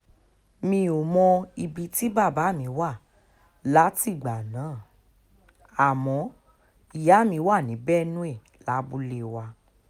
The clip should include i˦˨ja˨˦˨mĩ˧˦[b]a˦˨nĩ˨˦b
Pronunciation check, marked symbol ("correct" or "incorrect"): incorrect